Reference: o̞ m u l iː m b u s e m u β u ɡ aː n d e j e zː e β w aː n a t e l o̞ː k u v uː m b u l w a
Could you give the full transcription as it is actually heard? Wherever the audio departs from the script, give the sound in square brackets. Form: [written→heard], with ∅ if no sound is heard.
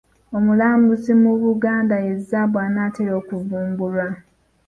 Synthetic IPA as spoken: o̞ m u l [iː→aː] m b u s [e→i] m u β u ɡ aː n d [e→a] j e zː [e→a] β w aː n a t e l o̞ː k u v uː m b u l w a